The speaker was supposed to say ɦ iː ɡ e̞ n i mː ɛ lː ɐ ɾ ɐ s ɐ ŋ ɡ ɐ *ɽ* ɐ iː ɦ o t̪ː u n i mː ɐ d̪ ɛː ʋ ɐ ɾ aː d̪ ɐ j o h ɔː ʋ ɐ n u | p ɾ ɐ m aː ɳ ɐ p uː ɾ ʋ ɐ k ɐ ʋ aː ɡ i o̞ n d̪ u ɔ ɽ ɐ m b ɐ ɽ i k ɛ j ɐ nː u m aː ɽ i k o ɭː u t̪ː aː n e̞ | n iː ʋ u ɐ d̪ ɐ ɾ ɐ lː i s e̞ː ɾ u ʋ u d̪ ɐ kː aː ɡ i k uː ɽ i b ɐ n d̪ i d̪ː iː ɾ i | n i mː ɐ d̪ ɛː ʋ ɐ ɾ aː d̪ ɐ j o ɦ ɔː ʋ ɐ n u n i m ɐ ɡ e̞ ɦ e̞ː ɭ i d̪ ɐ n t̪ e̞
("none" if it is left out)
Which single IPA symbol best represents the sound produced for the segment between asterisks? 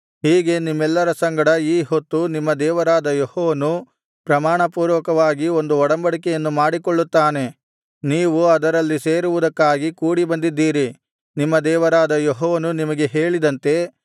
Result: ɽ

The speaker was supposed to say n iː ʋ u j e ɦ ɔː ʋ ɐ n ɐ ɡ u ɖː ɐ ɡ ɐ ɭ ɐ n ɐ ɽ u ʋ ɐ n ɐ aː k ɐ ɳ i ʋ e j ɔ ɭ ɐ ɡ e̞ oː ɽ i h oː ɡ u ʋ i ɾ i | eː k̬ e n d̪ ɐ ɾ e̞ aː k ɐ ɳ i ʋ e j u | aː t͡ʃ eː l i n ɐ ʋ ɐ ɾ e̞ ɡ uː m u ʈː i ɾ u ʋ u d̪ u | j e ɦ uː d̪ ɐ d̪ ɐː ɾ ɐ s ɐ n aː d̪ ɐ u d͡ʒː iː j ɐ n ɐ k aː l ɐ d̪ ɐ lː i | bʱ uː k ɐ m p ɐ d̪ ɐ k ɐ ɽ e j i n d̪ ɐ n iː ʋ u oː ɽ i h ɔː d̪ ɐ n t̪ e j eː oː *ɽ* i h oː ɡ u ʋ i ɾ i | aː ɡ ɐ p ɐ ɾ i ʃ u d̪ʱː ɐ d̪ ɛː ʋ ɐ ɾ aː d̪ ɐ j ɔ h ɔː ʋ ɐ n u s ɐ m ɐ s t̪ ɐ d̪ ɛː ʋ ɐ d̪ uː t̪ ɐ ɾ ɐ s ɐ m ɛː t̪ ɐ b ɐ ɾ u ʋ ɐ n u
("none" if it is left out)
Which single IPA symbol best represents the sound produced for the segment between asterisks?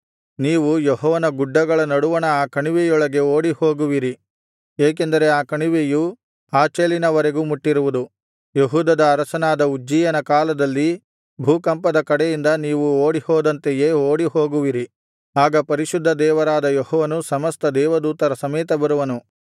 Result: ɽ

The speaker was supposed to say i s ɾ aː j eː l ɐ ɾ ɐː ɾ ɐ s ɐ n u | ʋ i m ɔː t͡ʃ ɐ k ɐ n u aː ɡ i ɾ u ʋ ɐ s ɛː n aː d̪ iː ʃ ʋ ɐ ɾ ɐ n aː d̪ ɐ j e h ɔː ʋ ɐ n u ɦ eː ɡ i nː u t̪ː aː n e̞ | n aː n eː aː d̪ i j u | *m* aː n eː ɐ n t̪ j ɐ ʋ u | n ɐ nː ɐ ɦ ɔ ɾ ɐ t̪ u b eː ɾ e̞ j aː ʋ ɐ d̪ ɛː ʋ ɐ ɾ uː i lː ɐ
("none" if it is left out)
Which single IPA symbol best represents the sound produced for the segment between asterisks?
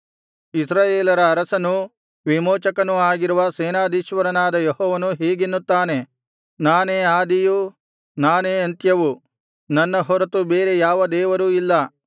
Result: n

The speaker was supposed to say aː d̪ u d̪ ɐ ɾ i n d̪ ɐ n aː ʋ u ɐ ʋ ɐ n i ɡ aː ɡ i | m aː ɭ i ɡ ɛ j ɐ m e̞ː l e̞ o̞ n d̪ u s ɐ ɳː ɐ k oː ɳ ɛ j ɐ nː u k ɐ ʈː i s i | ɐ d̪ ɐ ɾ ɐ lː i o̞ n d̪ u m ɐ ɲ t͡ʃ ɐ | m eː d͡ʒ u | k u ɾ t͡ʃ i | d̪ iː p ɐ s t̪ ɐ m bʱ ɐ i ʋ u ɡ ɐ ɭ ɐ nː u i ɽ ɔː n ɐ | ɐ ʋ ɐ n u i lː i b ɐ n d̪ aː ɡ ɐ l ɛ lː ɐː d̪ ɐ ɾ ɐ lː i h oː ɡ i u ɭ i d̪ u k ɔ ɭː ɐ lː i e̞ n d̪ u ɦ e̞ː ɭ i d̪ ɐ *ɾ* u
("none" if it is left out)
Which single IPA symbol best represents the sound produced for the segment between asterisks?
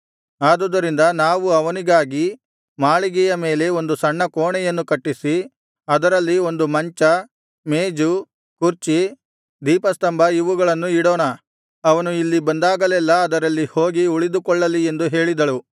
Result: ɭ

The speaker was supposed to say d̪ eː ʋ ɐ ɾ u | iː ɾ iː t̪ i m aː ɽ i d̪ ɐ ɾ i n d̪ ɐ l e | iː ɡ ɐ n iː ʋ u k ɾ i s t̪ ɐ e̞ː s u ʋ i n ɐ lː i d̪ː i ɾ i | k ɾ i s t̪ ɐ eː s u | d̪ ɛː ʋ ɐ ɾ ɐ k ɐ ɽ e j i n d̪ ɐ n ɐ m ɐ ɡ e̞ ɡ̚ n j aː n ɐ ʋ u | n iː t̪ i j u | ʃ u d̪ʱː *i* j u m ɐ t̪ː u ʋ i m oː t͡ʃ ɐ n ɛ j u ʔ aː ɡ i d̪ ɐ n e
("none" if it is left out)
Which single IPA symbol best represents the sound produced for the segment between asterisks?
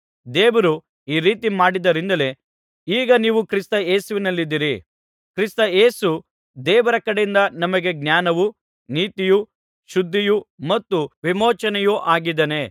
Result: i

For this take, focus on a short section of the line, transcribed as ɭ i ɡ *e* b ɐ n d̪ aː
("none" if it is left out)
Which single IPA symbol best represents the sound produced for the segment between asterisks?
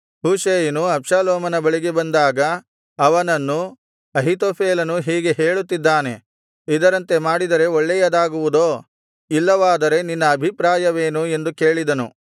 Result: e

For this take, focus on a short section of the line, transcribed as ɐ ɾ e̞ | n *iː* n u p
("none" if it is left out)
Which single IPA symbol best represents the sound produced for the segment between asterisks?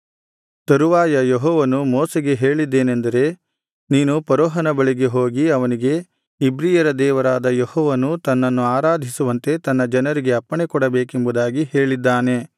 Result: iː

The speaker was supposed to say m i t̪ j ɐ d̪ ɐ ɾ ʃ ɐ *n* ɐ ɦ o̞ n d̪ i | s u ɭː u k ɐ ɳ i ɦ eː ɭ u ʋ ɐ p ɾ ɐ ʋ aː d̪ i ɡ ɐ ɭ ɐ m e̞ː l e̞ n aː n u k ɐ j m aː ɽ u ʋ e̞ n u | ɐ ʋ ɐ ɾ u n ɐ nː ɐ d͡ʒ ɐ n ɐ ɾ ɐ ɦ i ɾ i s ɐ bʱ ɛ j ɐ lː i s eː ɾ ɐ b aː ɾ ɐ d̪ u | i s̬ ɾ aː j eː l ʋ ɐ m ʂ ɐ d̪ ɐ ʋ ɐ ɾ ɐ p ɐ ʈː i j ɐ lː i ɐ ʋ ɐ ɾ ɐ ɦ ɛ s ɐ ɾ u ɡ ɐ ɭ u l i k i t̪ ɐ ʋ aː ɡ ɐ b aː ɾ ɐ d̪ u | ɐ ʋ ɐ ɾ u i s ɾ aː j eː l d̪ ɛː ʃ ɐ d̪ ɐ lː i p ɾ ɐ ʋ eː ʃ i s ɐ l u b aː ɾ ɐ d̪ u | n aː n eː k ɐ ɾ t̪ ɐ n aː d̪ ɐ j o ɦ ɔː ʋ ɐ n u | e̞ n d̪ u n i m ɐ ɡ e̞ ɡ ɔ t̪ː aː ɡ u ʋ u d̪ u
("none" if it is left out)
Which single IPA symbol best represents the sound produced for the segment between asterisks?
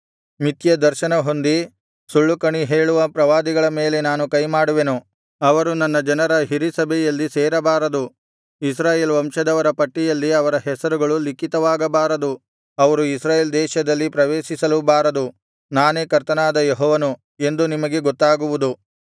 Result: n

